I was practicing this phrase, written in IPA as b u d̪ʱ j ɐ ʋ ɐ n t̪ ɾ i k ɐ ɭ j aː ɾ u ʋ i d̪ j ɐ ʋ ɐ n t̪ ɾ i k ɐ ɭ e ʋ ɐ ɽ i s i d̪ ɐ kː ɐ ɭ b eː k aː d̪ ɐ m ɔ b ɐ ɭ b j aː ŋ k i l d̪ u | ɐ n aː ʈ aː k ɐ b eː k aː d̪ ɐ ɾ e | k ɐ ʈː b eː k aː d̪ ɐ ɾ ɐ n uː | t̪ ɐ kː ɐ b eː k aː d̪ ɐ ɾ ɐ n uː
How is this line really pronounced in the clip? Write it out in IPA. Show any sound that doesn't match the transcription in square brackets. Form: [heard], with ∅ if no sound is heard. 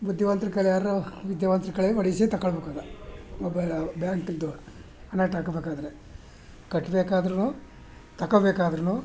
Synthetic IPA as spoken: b u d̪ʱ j ɐ ʋ ɐ n t̪ ɾ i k ɐ ɭ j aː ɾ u ʋ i d̪ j ɐ ʋ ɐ n t̪ ɾ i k ɐ ɭ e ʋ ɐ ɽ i s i [t̪] ɐ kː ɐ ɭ b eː k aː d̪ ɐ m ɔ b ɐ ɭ b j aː ŋ k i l d̪ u | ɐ n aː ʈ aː k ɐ b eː k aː d̪ ɐ ɾ e | k ɐ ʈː b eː k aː d̪ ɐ ɾ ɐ n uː | t̪ ɐ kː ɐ b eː k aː d̪ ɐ ɾ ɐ n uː